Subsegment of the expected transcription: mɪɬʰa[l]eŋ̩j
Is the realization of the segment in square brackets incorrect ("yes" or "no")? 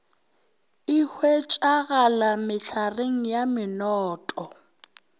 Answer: yes